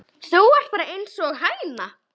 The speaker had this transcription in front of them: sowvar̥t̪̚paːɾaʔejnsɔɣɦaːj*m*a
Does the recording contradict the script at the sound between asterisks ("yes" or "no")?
yes